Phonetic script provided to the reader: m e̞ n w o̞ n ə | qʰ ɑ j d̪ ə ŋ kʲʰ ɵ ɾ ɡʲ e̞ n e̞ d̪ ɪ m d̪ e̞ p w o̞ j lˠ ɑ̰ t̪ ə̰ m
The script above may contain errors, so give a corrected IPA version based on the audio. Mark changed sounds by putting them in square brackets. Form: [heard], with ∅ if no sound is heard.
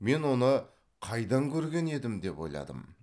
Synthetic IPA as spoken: m e̞ n w o̞ n ə | qʰ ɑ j d̪ [ɑ] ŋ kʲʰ ɵ ɾ ɡʲ e̞ n e̞ d̪ ɪ m d̪ e̞ p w o̞ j lˠ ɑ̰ [d̪] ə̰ m